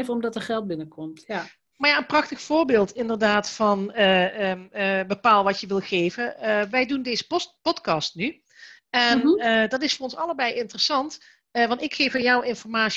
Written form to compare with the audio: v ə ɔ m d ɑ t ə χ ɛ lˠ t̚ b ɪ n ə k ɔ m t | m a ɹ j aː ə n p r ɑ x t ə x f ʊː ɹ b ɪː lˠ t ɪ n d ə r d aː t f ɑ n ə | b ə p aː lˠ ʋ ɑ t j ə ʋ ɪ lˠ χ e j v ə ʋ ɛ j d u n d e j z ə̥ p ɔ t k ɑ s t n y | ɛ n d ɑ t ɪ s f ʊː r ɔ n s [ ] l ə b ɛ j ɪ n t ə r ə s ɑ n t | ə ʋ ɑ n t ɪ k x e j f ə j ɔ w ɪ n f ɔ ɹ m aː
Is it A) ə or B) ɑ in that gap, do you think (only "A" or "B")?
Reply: B